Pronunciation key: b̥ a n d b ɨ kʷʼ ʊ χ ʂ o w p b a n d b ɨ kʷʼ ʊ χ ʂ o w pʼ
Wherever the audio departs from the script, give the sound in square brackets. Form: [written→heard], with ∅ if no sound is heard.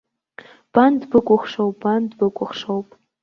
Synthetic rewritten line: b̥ a n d b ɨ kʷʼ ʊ χ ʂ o w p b a n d b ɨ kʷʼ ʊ χ ʂ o w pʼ